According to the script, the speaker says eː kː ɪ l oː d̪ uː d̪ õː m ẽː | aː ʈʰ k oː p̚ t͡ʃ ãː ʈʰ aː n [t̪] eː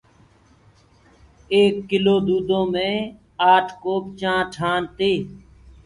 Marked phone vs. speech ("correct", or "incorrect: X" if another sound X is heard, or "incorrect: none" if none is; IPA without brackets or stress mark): correct